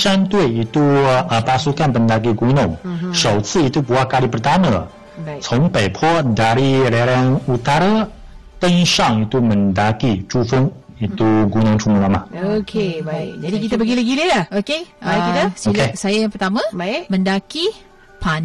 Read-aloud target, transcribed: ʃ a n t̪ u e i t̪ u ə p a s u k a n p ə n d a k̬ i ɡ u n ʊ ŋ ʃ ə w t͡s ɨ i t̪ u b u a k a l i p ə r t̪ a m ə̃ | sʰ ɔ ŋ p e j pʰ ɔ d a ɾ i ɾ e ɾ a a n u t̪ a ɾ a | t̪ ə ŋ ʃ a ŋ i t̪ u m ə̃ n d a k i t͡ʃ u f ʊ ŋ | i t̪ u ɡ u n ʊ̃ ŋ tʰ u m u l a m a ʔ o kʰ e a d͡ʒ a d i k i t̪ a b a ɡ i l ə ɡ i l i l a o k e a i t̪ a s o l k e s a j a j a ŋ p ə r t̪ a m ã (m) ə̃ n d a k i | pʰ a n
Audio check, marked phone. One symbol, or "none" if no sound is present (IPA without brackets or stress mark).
m